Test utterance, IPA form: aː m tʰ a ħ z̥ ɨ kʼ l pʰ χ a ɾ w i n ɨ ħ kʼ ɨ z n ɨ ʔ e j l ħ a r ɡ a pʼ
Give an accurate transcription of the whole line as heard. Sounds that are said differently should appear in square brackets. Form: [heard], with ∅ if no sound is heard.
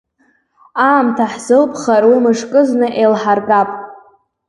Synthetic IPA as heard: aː m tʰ a ħ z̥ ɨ [∅] l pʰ χ a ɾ w i [m] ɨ [ʂ] kʼ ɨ z n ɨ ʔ e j l ħ a r ɡ a pʼ